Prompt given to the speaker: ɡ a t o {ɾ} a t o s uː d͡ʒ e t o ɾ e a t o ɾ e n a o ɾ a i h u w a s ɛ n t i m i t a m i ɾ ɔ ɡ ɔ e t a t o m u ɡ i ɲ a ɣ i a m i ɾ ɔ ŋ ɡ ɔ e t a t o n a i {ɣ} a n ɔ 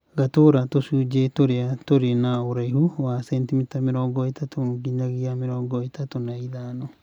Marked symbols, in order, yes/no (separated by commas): yes, no